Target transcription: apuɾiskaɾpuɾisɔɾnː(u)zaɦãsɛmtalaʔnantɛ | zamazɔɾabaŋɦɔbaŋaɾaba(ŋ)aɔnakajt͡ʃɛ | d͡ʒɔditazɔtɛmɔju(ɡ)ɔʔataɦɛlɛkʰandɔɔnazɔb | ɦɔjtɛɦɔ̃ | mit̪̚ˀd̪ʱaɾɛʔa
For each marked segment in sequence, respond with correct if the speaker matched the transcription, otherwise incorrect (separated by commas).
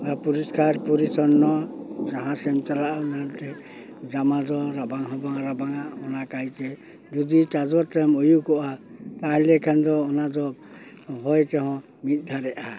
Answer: incorrect, correct, incorrect